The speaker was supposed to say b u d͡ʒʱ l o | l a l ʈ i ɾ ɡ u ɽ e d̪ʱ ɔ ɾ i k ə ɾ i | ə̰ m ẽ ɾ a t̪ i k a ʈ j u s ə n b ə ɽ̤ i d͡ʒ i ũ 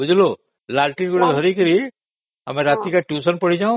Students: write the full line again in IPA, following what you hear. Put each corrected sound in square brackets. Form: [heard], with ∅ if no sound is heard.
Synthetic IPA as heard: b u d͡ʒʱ l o | l a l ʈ i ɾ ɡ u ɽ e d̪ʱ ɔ ɾ i k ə ɾ i | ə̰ m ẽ ɾ a t̪ i k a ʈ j u s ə n [p] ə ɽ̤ i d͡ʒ [a] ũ

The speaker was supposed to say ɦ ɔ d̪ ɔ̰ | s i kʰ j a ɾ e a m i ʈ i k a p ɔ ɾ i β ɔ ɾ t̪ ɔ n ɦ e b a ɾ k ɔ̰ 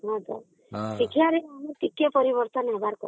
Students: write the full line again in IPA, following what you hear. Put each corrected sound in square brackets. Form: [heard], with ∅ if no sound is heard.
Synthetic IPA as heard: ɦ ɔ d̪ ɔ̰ | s i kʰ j a ɾ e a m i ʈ i k [e] p ɔ ɾ i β ɔ ɾ t̪ ɔ n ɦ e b a ɾ k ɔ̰

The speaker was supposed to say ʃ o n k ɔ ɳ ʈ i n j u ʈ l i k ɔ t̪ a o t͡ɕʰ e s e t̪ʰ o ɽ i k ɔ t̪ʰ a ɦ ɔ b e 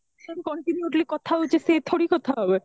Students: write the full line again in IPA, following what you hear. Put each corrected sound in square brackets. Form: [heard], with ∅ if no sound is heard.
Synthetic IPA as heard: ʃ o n k ɔ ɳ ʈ i n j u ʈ l i k ɔ [t̪ʰ] a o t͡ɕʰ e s e t̪ʰ o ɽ i k ɔ t̪ʰ a ɦ ɔ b e

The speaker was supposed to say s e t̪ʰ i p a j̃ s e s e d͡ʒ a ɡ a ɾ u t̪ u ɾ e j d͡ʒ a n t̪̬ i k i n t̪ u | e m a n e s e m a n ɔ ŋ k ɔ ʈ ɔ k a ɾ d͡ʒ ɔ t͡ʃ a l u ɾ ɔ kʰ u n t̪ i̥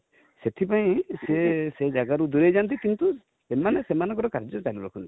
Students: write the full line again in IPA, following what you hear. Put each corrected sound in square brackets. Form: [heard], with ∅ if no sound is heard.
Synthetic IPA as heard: s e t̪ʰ i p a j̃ s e s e d͡ʒ a ɡ a ɾ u [d̪] u ɾ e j d͡ʒ a n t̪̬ i k i n t̪ u | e m a n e s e m a n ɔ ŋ k ɔ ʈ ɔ k a ɾ d͡ʒ ɔ t͡ʃ a l u ɾ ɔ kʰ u n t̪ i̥

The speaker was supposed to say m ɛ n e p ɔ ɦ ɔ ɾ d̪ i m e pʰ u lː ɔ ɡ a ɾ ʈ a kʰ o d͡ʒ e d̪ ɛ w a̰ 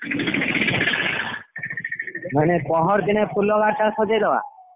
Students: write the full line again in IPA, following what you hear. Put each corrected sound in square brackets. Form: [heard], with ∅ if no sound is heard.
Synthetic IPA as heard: m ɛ n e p ɔ ɦ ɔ ɾ d̪ i [n] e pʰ u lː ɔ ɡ a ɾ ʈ a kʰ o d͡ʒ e d̪ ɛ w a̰

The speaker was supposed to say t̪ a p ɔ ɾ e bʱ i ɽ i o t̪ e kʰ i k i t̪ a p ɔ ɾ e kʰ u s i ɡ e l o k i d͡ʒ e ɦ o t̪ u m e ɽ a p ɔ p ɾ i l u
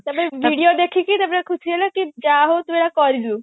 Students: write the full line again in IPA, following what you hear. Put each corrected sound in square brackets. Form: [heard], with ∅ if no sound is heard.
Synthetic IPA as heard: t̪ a p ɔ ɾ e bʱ i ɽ i o [d̪] e kʰ i k i t̪ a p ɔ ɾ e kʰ u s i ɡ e l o k i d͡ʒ [a] ɦ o t̪ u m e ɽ a [k] ɔ [∅] ɾ i l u

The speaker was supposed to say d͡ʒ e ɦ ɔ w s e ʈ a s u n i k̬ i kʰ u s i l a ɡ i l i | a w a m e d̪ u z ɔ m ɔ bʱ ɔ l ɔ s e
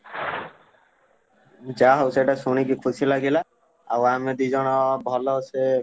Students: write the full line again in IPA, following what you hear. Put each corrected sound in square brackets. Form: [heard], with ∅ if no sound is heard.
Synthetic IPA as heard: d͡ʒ [a] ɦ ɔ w s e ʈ a s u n i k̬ i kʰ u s i l a ɡ i l [a] | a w a m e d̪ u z ɔ [n] ɔ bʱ ɔ l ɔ s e

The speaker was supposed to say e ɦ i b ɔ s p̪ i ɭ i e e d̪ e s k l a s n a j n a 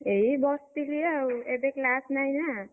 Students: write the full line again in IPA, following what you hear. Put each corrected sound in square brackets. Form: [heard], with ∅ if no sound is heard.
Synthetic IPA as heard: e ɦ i b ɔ s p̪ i [l] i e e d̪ e [∅] k l a s n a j n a

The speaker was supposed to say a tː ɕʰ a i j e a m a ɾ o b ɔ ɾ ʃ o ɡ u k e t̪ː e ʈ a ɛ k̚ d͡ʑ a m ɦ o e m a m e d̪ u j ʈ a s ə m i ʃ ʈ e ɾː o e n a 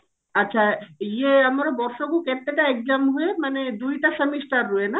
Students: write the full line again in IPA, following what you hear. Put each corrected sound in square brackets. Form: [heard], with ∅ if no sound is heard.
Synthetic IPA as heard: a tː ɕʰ a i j e a m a ɾ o b ɔ ɾ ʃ o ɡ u k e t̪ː e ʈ a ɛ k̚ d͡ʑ a m ɦ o e m a [n] e d̪ u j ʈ a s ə m i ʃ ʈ [a] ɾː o e n a

